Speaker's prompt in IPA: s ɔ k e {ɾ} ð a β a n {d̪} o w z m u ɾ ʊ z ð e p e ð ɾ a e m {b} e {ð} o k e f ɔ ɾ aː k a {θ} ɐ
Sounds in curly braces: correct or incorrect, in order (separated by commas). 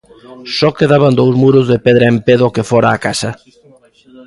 incorrect, correct, incorrect, correct, incorrect